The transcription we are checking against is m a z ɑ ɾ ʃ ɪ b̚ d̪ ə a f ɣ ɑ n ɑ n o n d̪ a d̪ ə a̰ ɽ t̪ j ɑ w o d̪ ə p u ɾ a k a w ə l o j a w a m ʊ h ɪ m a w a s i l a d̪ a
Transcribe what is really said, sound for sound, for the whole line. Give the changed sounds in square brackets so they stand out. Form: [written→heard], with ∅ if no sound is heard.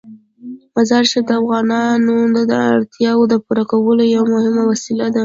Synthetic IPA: m a z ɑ ɾ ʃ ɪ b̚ d̪ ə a f ɣ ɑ n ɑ n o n d̪ a d̪ ə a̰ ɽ t̪ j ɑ w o d̪ ə p u ɾ a k a w ə l o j a w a m ʊ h ɪ m a w a s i l a d̪ a